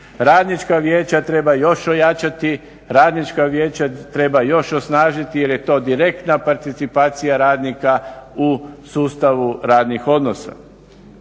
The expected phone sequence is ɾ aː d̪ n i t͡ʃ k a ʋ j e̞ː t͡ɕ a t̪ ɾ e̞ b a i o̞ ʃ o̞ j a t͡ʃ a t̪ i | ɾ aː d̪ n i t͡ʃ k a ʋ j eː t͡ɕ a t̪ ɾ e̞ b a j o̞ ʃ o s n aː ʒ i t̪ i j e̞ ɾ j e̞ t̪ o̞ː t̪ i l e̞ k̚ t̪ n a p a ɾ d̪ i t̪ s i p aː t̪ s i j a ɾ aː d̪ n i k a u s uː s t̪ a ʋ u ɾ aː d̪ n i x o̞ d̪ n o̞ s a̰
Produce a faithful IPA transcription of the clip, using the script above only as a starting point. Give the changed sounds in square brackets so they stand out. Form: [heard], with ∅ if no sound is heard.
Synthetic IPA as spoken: ɾ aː d̪ n i t͡ʃ k a ʋ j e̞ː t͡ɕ a t̪ ɾ e̞ b a [j] o̞ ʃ o̞ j a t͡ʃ a t̪ i | ɾ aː d̪ n i t͡ʃ k a ʋ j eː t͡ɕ a t̪ ɾ e̞ b a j o̞ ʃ o s n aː ʒ i t̪ i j e̞ ɾ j e̞ t̪ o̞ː [d̪] i [ɾ] e̞ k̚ t̪ n a p a ɾ [t̪] i t̪ s i p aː t̪ s i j a ɾ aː d̪ n i k a u s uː s t̪ a ʋ u ɾ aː d̪ n i x o̞ d̪ n o̞ s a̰